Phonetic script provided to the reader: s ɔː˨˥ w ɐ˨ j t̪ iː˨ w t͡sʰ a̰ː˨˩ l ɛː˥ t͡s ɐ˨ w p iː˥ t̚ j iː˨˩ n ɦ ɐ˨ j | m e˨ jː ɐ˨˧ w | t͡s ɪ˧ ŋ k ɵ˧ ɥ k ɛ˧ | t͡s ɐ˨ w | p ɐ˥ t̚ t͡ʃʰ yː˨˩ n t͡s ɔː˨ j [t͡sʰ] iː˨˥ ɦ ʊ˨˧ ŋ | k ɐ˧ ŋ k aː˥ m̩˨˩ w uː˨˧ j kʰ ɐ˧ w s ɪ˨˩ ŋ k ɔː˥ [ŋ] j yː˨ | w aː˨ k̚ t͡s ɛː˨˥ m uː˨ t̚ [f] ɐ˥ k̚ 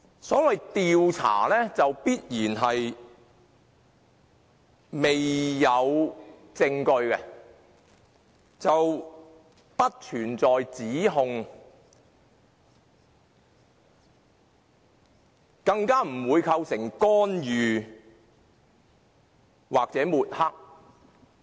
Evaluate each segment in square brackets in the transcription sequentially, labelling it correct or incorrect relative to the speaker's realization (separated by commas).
incorrect, incorrect, incorrect